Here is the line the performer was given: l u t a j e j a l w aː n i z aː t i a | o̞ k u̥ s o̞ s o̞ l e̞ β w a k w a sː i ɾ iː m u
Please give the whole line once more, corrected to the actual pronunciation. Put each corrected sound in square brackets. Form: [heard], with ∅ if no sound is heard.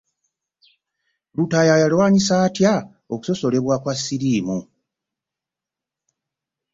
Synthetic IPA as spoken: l u t a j [a] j a l w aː [ɲ] i [s] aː t [j] a | o̞ k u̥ s o̞ s o̞ l e̞ β w a k w a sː i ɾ iː m u